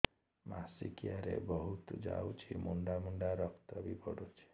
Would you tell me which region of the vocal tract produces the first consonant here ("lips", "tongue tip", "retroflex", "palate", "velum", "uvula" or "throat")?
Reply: lips